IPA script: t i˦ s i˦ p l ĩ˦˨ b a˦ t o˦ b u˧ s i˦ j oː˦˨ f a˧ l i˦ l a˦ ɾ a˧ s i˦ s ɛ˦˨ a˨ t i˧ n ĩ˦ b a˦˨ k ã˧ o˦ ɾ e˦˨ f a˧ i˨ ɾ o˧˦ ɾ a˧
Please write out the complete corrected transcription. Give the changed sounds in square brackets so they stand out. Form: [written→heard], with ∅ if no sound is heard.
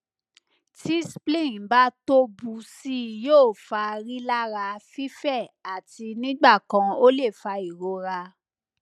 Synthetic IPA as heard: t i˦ s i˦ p l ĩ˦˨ b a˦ t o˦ b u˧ s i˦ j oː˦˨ f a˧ [l→ɾ] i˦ l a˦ ɾ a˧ [s→f] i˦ [s→f] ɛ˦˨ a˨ t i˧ n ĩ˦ [b→ɡ͡b] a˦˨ k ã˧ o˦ [ɾ→l] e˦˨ f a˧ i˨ ɾ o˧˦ ɾ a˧

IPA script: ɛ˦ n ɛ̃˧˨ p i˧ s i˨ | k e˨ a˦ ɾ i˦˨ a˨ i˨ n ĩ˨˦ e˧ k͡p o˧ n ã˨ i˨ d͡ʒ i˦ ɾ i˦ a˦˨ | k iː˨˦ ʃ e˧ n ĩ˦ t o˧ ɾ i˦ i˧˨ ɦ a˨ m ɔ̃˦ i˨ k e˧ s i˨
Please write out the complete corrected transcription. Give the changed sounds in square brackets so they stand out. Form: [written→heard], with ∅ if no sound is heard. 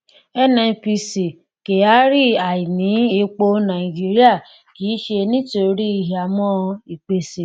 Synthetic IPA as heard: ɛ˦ n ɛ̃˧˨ p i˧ s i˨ | k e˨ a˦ ɾ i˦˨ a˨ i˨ n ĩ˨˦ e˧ k͡p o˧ n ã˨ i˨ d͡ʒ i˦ ɾ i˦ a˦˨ | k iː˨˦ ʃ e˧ n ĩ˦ t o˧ ɾ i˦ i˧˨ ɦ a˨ m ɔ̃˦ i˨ [k→k͡p] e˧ s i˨

